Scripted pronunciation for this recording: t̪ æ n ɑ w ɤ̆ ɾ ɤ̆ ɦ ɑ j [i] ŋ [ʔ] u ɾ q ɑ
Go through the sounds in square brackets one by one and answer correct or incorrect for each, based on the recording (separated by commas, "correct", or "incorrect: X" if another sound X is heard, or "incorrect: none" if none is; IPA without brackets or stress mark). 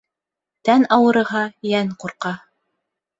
incorrect: æ, incorrect: q